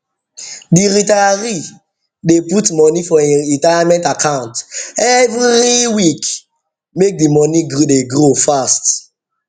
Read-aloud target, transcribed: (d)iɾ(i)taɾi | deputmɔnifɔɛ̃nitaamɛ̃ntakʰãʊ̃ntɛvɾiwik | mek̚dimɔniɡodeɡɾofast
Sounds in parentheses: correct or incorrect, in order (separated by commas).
correct, correct